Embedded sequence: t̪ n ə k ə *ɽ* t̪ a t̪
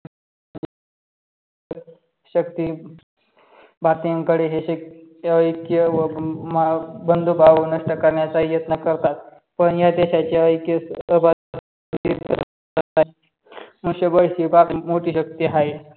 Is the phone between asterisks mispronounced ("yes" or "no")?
yes